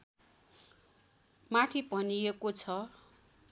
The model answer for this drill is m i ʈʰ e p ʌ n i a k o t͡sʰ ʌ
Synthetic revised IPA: m a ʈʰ i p ʌ n i e k o t͡sʰ ʌ

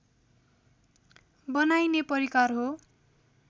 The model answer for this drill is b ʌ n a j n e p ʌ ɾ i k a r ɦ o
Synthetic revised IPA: b ʌ n a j n e p ʌ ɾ i k a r ɦ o

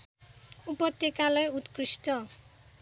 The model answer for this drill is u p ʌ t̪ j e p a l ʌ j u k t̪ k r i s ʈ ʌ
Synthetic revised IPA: u p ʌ t̪ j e k a l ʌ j u t̪ k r i s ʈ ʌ

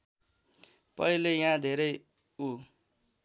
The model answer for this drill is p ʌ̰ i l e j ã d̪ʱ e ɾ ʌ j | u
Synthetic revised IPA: p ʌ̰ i l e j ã d̪ʱ e ɾ ʌ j | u

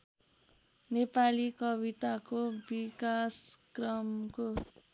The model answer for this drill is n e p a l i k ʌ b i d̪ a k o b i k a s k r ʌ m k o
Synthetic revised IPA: n e p a l i k ʌ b i t̪ a k o b i k a s k r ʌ m k o

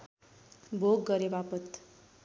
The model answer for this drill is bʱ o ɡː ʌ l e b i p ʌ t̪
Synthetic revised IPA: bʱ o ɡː ʌ ɾ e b a p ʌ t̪

